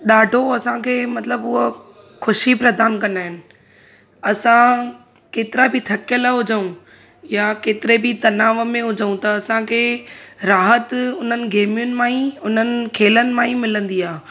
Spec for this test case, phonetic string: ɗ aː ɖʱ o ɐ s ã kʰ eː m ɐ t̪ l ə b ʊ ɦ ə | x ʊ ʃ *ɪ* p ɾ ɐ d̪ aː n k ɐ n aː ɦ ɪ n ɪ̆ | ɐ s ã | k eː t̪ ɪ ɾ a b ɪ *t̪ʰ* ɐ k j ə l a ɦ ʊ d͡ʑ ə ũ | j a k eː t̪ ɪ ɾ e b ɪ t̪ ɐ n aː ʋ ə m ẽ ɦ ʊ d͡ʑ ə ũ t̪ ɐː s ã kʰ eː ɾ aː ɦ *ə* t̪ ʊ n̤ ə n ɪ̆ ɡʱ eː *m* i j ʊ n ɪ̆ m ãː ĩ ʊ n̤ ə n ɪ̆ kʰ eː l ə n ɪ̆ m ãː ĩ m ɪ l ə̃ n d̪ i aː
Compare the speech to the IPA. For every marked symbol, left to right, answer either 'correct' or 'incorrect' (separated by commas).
incorrect, correct, correct, correct